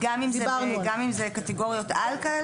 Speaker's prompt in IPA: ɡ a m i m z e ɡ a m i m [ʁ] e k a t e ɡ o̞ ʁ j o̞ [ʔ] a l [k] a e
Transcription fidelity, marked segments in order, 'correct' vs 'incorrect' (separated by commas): incorrect, incorrect, correct